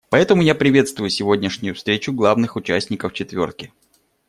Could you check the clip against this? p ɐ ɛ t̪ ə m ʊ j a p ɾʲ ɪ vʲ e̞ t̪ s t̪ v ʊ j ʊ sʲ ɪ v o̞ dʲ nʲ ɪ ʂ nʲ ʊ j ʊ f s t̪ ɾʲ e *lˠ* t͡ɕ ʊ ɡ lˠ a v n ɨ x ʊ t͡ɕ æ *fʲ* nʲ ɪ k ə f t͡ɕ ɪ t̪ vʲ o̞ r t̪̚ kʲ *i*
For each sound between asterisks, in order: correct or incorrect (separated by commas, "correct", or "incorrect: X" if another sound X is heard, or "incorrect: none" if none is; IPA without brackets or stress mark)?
incorrect: none, incorrect: sʲ, incorrect: ɪ